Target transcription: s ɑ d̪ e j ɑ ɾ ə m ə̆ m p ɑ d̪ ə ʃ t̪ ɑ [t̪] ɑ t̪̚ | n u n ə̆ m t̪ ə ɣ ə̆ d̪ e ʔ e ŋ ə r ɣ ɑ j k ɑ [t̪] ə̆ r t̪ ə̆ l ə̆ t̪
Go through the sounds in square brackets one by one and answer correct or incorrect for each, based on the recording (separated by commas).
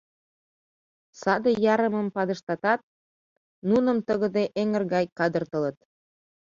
correct, incorrect